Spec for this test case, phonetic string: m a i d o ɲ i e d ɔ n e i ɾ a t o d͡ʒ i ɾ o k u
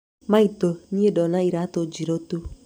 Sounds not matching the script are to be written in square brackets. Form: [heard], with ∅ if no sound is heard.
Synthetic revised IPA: m a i [t] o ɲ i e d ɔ n [a] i ɾ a t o d͡ʒ i ɾ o [t] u